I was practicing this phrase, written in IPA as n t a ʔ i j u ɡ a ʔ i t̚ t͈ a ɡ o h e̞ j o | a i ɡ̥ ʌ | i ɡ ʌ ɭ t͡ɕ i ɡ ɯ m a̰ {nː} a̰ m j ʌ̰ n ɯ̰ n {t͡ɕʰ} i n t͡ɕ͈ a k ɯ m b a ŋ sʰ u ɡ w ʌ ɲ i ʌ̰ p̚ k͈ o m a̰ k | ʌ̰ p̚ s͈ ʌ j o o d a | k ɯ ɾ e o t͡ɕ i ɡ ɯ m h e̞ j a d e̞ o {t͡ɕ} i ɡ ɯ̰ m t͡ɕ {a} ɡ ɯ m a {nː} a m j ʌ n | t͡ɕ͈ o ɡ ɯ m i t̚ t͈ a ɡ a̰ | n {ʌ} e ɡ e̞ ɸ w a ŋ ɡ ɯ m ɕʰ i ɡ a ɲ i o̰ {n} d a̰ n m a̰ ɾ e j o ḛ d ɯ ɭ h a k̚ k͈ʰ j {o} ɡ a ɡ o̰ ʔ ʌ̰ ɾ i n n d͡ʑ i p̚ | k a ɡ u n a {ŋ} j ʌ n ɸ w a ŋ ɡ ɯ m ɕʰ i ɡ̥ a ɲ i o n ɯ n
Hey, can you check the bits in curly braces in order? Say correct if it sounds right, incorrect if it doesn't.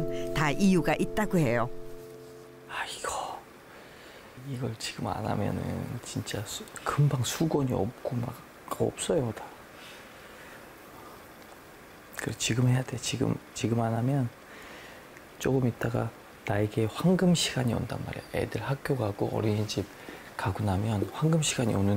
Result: incorrect: n, incorrect: t͡ɕ, correct, incorrect: i, incorrect: n, incorrect: a, correct, correct, incorrect: m

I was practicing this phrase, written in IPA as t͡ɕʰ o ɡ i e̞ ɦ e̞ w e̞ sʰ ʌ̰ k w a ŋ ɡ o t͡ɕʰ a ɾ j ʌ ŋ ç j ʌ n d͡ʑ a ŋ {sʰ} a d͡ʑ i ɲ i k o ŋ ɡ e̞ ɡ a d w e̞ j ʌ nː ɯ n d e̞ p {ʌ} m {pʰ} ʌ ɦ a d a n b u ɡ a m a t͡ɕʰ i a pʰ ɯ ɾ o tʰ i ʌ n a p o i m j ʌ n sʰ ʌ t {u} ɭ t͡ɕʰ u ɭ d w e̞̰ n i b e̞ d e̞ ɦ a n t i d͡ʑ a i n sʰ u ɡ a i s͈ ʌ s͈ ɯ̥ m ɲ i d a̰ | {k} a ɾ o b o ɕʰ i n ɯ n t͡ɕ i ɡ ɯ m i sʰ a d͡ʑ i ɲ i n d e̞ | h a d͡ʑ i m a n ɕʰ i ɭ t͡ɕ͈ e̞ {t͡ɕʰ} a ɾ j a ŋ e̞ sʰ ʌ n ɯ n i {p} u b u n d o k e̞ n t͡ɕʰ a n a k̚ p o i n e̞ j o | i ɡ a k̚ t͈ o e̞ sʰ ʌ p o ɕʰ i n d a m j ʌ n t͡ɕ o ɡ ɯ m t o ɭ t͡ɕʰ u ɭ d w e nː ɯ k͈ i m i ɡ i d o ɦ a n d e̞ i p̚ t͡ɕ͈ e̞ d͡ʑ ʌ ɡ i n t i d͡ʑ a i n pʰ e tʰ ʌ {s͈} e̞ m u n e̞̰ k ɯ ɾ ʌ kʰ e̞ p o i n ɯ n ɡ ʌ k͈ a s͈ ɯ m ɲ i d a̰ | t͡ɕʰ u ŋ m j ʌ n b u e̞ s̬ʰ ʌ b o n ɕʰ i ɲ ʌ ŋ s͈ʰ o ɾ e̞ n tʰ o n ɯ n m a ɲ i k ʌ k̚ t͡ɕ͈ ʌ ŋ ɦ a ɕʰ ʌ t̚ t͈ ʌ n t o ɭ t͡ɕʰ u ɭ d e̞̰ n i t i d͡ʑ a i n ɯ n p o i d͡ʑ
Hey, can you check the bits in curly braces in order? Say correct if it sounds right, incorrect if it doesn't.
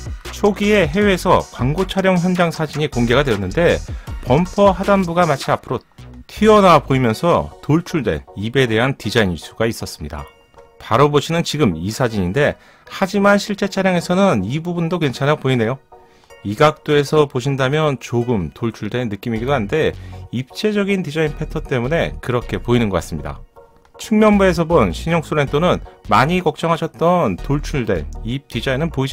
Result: correct, correct, correct, incorrect: o, incorrect: p, correct, incorrect: b, incorrect: t͈

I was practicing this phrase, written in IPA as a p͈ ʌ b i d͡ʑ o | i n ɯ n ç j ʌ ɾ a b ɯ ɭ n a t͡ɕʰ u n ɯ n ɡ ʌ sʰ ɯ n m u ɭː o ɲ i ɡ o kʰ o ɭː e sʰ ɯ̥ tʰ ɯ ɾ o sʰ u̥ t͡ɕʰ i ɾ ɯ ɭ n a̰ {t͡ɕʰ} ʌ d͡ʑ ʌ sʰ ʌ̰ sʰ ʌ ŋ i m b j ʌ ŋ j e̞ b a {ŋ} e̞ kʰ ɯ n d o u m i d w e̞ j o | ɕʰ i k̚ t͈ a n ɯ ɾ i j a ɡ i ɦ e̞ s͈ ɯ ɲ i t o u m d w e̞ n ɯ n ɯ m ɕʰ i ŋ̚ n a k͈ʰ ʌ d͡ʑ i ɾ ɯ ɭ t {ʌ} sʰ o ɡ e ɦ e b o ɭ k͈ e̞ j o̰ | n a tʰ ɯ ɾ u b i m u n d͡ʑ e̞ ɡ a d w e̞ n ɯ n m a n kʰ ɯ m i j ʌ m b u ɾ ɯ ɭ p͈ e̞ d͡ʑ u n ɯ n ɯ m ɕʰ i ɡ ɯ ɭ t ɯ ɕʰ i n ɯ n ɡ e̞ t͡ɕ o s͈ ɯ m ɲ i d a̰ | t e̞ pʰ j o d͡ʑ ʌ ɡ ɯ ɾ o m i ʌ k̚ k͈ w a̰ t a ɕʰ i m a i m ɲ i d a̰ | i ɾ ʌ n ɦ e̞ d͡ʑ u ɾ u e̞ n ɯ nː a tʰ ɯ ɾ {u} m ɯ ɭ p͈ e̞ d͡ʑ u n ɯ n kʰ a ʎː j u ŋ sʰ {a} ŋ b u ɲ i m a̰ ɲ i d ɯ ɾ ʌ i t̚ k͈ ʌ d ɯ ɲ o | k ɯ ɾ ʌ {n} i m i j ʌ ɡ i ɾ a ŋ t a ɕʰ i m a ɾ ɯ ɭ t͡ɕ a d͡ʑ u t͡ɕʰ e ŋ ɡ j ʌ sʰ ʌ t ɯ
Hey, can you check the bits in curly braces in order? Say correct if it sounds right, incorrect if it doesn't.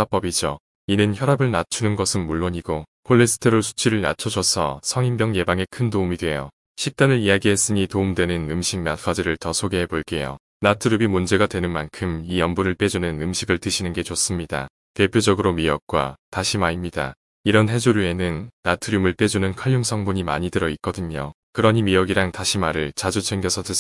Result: correct, correct, correct, correct, incorrect: ʌ, incorrect: ɲ

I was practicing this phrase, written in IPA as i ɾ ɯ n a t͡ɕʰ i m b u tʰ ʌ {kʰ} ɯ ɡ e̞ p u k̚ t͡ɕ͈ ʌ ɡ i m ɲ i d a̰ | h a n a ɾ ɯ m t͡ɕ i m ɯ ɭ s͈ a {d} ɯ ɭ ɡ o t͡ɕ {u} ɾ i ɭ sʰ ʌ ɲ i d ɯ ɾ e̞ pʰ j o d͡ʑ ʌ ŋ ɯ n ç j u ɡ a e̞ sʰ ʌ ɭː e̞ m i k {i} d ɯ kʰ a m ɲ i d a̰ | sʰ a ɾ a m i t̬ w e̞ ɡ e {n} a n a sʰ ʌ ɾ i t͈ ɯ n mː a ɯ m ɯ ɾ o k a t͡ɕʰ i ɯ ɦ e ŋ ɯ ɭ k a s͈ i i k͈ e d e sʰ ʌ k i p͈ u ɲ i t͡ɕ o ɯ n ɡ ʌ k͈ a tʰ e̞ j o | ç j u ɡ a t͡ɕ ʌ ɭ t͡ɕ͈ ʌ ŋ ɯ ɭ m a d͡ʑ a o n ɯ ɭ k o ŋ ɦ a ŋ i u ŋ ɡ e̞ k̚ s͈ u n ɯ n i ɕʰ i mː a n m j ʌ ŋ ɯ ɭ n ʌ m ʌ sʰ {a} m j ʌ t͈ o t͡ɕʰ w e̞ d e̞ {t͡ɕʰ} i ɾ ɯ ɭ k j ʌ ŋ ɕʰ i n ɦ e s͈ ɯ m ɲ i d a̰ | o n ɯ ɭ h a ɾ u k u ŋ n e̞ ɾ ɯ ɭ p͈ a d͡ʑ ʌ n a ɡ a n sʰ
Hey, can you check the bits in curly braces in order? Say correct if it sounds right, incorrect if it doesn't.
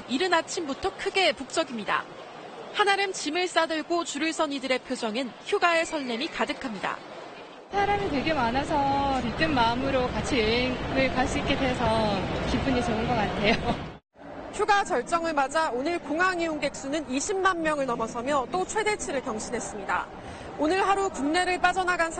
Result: correct, correct, correct, incorrect: a, incorrect: m, incorrect: ʌ, correct

